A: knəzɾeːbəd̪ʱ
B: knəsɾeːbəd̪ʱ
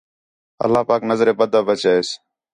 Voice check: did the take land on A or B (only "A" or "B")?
A